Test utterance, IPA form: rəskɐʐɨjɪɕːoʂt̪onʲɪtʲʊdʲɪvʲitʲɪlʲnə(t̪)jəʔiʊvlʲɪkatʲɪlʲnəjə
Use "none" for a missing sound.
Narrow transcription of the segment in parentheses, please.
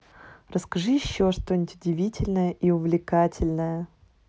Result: none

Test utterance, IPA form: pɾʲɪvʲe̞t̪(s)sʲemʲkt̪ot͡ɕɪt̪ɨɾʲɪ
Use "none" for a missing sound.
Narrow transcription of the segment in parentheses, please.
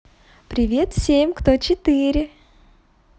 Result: f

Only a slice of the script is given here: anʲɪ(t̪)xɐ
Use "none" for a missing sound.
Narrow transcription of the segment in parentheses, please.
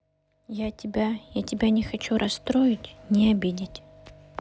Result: none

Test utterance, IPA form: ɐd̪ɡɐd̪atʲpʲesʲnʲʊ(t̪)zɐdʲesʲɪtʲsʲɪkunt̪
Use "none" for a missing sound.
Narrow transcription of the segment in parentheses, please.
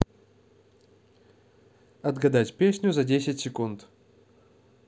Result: none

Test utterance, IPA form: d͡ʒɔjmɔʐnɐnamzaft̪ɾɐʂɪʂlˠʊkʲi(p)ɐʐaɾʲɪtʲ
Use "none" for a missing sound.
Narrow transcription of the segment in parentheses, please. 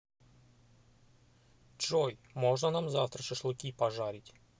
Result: p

